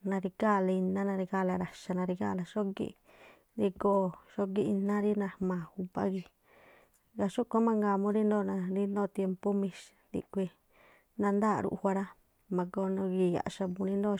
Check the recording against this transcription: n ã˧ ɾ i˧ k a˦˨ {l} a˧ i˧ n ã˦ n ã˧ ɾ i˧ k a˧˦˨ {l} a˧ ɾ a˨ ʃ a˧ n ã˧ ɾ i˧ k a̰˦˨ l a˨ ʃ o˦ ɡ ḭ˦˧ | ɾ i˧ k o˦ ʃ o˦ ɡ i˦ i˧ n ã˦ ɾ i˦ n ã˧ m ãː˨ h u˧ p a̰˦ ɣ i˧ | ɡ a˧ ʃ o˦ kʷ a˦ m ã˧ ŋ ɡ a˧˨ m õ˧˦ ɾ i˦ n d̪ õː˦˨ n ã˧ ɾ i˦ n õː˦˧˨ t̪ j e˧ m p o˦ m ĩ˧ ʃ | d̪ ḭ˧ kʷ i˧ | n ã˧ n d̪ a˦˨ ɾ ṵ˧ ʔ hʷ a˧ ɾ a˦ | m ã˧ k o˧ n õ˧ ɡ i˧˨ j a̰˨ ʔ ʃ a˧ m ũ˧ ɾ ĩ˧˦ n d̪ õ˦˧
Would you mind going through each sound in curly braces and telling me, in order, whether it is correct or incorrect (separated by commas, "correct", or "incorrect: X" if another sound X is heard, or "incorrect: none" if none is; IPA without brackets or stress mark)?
correct, correct